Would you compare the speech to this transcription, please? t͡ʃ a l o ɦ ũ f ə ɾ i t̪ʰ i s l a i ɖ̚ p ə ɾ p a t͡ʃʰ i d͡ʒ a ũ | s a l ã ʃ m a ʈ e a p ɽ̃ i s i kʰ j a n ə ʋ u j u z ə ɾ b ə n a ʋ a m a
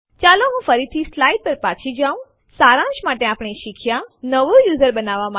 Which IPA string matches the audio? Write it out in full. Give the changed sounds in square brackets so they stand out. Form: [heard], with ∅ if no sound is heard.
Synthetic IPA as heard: t͡ʃ a l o ɦ ũ f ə ɾ i t̪ʰ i s l a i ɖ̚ p ə ɾ p a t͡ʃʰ i d͡ʒ a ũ | s a [ɾ] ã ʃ m a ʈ e a p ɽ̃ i [ʃ] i kʰ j a n ə ʋ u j u z ə ɾ b ə n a ʋ a m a